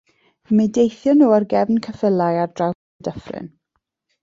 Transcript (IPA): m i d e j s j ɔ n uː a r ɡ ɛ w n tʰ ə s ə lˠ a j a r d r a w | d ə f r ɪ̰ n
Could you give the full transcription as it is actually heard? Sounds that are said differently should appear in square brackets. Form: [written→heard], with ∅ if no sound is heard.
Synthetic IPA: m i d e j [s→θ] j ɔ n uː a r ɡ ɛ [w→v] n [tʰ→kʰ] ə [s→f] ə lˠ a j a r d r a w | d ə f r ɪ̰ n

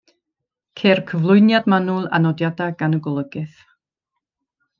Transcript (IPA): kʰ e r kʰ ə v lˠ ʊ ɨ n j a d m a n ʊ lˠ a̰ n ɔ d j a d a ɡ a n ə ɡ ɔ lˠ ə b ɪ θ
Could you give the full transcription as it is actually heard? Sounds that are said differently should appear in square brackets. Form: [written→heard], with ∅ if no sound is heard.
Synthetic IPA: kʰ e r kʰ ə v lˠ ʊ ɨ n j a d m a n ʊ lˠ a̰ n ɔ d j a d a ɡ a n ə ɡ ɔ lˠ ə [b→ɡ] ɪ θ

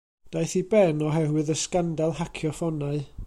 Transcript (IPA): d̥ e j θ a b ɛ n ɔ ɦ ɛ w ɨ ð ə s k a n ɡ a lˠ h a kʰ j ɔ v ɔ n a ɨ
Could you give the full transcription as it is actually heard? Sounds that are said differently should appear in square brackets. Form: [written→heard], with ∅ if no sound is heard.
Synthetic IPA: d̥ [e→a] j θ [a→i] b ɛ n ɔ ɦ ɛ w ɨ ð ə s k a n [ɡ→d] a lˠ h a kʰ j ɔ [v→f] ɔ n a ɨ

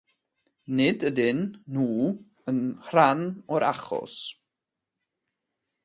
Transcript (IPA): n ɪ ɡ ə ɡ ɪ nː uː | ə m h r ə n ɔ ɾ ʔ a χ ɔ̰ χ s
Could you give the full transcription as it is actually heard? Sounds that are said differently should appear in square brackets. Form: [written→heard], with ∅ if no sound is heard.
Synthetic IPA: n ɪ [ɡ→d] ə [ɡ→d] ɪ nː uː | ə [m→n] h r [ə→a] n ɔ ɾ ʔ a χ ɔ̰ [χ→∅] s

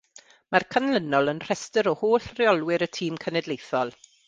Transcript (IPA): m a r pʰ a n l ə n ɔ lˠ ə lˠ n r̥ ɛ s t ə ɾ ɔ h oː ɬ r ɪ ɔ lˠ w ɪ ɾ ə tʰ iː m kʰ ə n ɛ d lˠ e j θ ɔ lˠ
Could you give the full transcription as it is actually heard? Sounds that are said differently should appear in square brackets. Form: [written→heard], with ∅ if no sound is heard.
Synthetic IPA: m a r [pʰ→kʰ] a n l ə n ɔ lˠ ə [lˠ→∅] n r̥ ɛ s t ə ɾ ɔ h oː ɬ r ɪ ɔ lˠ w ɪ ɾ ə tʰ iː m kʰ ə n ɛ d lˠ e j θ ɔ lˠ

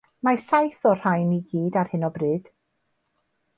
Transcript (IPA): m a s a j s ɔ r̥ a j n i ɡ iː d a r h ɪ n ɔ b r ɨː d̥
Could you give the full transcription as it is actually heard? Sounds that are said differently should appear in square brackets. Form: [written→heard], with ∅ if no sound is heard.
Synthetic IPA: m a s a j [s→θ] ɔ r̥ a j n i ɡ iː d a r h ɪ n ɔ b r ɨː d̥

